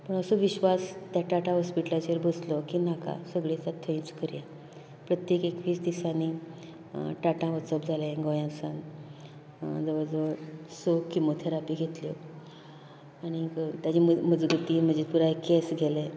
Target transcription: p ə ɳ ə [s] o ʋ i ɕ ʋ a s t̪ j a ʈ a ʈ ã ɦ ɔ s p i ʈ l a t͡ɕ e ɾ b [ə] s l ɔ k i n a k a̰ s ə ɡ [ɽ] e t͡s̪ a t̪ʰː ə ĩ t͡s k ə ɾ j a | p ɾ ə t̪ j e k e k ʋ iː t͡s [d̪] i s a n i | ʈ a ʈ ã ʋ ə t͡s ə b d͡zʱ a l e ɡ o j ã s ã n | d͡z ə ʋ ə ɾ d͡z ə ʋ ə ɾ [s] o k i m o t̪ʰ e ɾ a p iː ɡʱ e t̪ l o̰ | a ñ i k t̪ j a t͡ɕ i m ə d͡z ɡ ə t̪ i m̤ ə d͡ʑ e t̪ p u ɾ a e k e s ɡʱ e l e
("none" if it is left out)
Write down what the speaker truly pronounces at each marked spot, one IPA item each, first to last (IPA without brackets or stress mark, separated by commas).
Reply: s, ə, ɭ, d̪, s